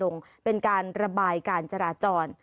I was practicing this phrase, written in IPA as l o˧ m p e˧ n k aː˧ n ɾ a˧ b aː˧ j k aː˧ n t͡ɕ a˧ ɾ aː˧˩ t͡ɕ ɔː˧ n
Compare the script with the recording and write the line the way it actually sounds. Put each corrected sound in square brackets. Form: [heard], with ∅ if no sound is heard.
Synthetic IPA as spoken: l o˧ [ŋ] p e˧ n k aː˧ n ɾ a˧ b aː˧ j k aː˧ n t͡ɕ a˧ ɾ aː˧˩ t͡ɕ ɔː˧ n